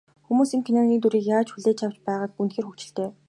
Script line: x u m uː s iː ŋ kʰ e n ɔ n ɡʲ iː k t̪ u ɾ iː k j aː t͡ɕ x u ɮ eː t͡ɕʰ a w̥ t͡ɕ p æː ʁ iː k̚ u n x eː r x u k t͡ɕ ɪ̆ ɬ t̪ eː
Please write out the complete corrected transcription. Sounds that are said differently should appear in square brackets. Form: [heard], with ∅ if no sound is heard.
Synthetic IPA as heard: x u m uː s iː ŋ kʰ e n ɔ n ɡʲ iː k t̪ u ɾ iː k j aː t͡ɕ x u ɮ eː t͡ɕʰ a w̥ t͡ɕ p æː ʁ [aː] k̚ u n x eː r x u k t͡ɕ ɪ̆ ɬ t̪ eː